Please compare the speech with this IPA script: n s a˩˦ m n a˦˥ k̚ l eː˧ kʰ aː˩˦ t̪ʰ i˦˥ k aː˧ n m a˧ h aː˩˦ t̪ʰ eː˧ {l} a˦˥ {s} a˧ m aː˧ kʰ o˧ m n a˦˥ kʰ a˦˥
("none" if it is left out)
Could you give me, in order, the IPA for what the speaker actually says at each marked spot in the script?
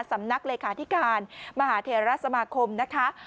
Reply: ɾ, s

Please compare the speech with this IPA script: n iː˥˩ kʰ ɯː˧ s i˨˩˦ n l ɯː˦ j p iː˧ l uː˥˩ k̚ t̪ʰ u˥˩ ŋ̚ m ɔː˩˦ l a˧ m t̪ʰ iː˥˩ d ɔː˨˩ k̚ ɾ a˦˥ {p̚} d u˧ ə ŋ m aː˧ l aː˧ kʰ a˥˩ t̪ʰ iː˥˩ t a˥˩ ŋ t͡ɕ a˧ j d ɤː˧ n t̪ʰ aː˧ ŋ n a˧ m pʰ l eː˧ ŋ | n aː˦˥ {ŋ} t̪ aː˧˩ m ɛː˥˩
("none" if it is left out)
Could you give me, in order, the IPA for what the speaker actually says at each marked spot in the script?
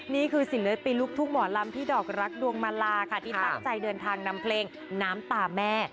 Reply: k̚, m

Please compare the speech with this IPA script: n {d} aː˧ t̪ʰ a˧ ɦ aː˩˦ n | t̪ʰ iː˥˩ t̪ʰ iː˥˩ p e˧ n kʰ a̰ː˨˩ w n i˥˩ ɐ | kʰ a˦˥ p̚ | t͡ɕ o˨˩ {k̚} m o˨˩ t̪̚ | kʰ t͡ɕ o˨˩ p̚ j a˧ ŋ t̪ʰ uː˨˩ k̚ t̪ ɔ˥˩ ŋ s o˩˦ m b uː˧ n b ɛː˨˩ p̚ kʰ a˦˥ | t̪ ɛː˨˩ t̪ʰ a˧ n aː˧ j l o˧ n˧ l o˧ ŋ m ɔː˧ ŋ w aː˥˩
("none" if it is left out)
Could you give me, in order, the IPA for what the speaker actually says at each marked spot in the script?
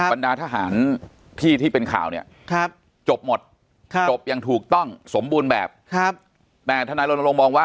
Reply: d, p̚

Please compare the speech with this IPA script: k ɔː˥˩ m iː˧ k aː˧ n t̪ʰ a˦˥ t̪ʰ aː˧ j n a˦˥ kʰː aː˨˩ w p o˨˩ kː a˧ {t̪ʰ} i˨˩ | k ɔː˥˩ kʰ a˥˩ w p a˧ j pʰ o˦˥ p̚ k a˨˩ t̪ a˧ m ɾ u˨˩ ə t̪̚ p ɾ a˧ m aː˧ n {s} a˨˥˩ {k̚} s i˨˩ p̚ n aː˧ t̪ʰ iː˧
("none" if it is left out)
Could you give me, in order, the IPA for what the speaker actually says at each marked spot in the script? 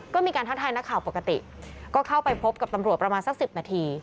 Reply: t̪, s, k̚

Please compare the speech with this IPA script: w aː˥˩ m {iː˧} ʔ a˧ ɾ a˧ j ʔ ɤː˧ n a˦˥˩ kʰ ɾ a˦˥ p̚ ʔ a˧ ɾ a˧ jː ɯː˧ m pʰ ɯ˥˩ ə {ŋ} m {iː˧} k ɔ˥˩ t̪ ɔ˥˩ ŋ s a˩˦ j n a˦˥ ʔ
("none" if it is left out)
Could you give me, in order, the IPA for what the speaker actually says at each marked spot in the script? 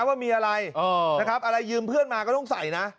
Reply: iː˧, n, aː˧

